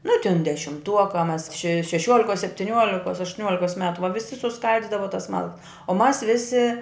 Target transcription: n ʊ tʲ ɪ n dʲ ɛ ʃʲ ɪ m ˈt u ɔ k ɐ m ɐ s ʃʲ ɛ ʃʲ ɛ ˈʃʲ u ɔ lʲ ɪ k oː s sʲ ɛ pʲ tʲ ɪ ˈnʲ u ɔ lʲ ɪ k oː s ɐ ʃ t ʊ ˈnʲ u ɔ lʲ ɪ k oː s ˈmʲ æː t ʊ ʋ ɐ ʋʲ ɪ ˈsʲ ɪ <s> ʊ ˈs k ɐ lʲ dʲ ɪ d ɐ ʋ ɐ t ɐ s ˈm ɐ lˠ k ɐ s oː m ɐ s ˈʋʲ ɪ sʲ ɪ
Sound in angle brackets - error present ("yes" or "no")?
no